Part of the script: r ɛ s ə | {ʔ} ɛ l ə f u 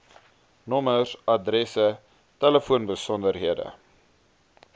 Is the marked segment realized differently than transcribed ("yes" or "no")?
yes